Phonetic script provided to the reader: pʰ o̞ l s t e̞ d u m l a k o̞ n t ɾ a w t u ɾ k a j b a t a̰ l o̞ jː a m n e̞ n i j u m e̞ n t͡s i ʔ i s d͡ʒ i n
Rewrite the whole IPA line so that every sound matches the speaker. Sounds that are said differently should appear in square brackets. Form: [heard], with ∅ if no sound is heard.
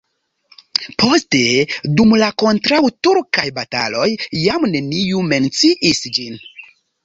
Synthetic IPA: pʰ o̞ [∅] s t e̞ d u m l a k o̞ n t ɾ a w t u ɾ k a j b a t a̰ l o̞ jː a m n e̞ n i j u m e̞ n t͡s i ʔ i s d͡ʒ i n